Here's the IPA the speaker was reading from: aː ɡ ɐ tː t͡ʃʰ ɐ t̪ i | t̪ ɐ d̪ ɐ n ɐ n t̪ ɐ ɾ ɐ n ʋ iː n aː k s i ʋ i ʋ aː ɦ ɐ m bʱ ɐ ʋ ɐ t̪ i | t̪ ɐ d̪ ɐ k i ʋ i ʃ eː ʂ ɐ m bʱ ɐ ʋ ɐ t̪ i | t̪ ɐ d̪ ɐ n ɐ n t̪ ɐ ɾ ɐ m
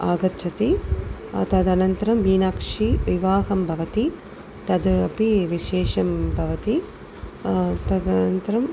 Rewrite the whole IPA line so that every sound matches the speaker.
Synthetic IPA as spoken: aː ɡ ɐ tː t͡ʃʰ ɐ t̪ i | t̪ ɐ d̪ ɐ n ɐ n t̪ ɐ ɾ ɐ m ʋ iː n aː k ʂ i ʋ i ʋ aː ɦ ɐ m bʱ ɐ ʋ ɐ t̪ i | t̪ ɐ d̪ ɐ p i ʋ i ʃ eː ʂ ɐ m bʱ ɐ ʋ ɐ t̪ i | t̪ ɐ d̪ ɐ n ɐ n t̪ ɐ ɾ ɐ m